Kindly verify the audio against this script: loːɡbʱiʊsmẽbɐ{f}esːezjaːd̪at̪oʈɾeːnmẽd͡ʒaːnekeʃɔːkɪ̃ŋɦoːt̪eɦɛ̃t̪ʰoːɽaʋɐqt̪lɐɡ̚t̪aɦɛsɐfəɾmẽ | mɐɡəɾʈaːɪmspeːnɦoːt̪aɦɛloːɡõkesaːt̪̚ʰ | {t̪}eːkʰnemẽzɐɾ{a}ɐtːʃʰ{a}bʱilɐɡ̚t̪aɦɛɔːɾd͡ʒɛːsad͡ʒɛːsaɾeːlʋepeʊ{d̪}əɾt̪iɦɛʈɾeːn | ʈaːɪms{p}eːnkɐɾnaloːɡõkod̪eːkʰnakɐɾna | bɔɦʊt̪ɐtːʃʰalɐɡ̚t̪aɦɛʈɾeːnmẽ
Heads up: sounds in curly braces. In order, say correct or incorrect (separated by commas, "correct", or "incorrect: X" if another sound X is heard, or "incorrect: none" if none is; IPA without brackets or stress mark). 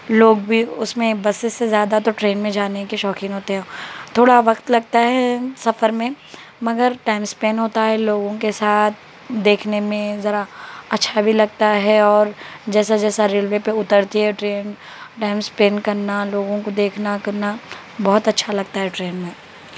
incorrect: s, incorrect: d̪, correct, correct, incorrect: t̪, correct